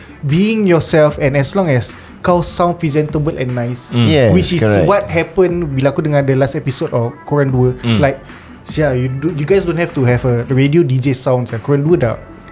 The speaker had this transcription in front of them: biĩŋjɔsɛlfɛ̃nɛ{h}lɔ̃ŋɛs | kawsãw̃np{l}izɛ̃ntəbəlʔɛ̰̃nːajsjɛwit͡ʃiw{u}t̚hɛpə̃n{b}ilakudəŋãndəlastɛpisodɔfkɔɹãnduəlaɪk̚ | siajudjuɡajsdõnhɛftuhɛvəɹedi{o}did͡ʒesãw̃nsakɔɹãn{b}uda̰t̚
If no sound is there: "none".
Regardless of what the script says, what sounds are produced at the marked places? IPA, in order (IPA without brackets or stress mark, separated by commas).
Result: s, ɹ, ɔ, b, o, d